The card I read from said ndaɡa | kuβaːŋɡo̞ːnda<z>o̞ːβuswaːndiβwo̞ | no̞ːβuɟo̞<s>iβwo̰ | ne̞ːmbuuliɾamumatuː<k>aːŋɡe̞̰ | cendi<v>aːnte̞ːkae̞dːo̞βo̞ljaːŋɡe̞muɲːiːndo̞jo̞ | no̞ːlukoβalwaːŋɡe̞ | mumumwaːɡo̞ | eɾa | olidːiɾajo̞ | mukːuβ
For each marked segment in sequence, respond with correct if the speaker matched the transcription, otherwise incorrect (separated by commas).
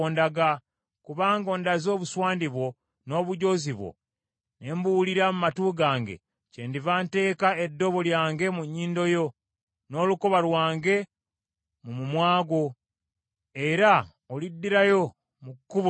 correct, incorrect, incorrect, correct